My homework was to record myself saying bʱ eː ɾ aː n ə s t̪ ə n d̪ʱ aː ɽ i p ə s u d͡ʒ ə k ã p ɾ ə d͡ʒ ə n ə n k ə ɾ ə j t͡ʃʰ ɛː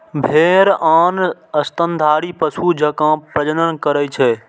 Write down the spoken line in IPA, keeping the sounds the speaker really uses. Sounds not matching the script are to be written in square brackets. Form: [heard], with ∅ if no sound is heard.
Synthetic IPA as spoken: bʱ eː ɾ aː n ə s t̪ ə n d̪ʱ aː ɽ i p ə s u d͡ʒ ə k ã p ɾ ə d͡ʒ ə n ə n k ə ɾ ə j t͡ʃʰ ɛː